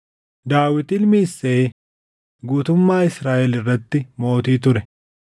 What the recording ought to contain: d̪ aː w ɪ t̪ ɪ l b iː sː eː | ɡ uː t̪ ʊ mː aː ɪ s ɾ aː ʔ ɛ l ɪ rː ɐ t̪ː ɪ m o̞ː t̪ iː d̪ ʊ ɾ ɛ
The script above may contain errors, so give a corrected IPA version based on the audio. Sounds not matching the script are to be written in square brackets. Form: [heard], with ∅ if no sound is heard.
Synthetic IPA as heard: d̪ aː w ɪ t̪ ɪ l [m] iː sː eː | ɡ uː t̪ ʊ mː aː ɪ s ɾ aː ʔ ɛ l ɪ rː ɐ t̪ː ɪ m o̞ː t̪ iː [t̪] ʊ ɾ ɛ

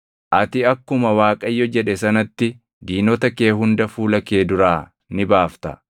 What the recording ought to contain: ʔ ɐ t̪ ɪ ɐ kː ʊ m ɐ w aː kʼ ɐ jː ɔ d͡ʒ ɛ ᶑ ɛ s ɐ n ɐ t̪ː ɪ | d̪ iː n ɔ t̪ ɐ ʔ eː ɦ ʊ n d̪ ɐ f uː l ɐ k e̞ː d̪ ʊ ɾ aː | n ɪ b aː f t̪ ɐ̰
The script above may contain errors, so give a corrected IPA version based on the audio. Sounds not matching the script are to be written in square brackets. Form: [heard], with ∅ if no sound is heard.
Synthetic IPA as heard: ʔ ɐ t̪ ɪ ɐ kː ʊ m ɐ w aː kʼ ɐ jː ɔ d͡ʒ ɛ ᶑ ɛ s ɐ n ɐ t̪ː ɪ | d̪ iː n ɔ t̪ ɐ [k] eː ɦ ʊ n d̪ ɐ f uː l ɐ k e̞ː d̪ ʊ ɾ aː | n ɪ b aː f t̪ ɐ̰

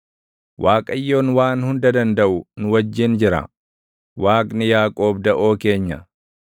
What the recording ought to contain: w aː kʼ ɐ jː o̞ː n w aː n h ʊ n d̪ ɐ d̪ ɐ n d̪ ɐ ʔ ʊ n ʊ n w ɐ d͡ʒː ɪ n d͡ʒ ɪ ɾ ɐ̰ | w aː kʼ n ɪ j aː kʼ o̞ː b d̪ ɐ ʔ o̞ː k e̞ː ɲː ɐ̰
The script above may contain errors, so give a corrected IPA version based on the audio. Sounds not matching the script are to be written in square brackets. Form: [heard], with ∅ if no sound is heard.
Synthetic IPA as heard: w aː kʼ ɐ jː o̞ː n w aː n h ʊ n d̪ ɐ d̪ ɐ n d̪ ɐ ʔ ʊ n ʊ [∅] w ɐ d͡ʒː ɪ n d͡ʒ ɪ ɾ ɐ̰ | w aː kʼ n ɪ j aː kʼ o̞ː b d̪ ɐ ʔ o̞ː k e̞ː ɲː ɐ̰

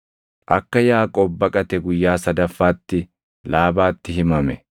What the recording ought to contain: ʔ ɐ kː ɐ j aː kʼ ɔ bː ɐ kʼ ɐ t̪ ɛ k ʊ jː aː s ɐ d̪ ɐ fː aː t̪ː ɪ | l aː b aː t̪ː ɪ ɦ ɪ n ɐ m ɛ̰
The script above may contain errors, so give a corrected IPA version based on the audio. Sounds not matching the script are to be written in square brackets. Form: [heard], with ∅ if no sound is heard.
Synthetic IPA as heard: ʔ ɐ kː ɐ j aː kʼ ɔ bː ɐ kʼ ɐ t̪ ɛ [ɡ] ʊ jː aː s ɐ d̪ ɐ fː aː t̪ː ɪ | l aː b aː t̪ː ɪ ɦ ɪ [m] ɐ m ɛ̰

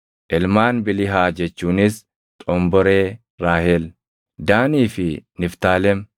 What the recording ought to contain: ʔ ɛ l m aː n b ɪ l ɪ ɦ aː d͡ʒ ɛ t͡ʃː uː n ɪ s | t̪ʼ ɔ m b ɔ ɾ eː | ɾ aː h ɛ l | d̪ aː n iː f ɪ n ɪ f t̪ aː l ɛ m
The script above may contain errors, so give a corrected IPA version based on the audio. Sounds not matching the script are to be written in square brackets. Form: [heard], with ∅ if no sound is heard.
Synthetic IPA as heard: ʔ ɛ l m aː n b ɪ l ɪ ɦ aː d͡ʒ ɛ t͡ʃː uː n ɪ s | t̪ʼ ɔ m b ɔ ɾ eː | ɾ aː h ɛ l | d̪ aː n iː f ɪ n ɪ f t̪ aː l ɛ m

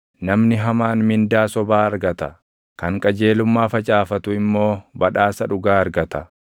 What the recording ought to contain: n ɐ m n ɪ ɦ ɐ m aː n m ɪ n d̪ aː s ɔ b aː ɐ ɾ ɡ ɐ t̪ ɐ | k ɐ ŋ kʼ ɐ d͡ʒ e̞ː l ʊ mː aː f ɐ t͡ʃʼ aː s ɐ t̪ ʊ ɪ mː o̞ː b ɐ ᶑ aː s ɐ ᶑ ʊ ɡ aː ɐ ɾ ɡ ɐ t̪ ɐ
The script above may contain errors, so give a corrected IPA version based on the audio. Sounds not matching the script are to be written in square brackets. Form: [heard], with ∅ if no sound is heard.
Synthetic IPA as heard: n ɐ m n ɪ ɦ ɐ m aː n m ɪ n d̪ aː s ɔ b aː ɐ ɾ ɡ ɐ t̪ ɐ | k ɐ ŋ kʼ ɐ d͡ʒ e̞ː l ʊ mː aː f ɐ t͡ʃʼ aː [f] ɐ t̪ ʊ ɪ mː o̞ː b ɐ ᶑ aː s ɐ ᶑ ʊ ɡ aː ɐ ɾ ɡ ɐ t̪ ɐ

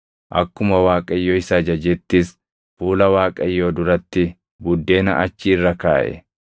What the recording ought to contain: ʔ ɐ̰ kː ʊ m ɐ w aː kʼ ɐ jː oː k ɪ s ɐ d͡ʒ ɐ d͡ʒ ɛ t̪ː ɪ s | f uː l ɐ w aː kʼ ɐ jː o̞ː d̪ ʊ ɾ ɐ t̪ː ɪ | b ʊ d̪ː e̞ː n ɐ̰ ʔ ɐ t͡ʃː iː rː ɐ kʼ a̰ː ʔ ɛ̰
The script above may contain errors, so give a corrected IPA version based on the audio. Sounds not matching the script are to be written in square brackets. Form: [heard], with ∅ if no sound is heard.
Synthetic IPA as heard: ʔ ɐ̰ kː ʊ m ɐ w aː kʼ ɐ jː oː [∅] ɪ s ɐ d͡ʒ ɐ d͡ʒ ɛ t̪ː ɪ s | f uː l ɐ w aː kʼ ɐ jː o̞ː d̪ ʊ ɾ ɐ t̪ː ɪ | b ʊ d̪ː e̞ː n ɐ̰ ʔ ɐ t͡ʃː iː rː ɐ [k] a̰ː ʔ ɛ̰

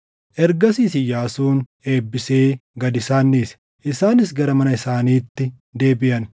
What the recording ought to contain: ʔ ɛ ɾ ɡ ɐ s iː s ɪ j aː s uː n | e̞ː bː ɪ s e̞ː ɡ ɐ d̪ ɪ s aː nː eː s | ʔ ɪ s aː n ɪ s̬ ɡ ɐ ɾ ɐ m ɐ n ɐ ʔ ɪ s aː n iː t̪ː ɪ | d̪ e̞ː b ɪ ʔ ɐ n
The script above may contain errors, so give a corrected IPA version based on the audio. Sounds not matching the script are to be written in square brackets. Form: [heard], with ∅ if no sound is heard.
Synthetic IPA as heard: ʔ ɛ ɾ ɡ ɐ s iː s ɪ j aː s uː n | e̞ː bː ɪ s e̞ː ɡ ɐ d̪ ɪ s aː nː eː s | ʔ ɪ s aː n ɪ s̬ ɡ ɐ ɾ ɐ m ɐ n ɐ [∅] ɪ s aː n iː t̪ː ɪ | d̪ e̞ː b ɪ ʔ ɐ n

